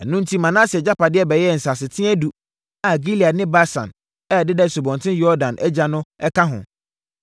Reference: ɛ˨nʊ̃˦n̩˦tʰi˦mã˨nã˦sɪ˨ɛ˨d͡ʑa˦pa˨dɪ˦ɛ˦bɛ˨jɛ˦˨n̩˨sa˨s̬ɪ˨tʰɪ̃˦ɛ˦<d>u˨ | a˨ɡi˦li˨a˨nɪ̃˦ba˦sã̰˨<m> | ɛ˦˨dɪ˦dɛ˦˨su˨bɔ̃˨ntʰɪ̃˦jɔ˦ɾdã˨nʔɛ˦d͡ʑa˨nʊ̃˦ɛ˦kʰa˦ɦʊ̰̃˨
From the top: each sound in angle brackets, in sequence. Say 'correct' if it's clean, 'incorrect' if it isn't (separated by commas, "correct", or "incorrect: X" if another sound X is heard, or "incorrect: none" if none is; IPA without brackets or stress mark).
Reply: correct, incorrect: n